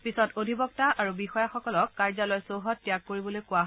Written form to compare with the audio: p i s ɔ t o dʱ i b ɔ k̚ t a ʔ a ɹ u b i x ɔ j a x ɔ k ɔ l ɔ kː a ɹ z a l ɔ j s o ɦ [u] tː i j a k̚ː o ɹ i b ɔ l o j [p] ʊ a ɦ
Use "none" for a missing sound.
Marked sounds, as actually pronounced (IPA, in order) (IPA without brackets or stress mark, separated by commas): ɔ, k